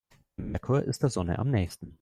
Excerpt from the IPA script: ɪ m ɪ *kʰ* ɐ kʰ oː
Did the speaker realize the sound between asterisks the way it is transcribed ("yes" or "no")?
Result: no